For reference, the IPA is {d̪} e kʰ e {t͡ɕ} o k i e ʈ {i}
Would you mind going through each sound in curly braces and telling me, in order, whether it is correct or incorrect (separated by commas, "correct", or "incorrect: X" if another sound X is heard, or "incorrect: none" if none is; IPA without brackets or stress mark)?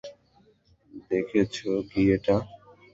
correct, incorrect: t͡ɕʰ, incorrect: a